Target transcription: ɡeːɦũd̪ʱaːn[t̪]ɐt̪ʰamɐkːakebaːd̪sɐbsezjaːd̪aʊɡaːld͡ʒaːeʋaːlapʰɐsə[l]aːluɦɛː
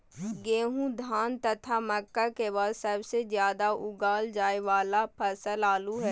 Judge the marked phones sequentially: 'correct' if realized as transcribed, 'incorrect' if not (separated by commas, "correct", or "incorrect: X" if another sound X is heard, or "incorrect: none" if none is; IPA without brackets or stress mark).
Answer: correct, correct